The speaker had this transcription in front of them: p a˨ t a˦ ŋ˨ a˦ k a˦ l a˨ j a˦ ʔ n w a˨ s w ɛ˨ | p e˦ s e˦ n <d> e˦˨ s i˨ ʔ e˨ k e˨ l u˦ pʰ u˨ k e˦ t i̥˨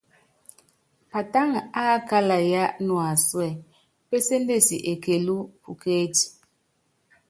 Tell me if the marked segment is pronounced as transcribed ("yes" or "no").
yes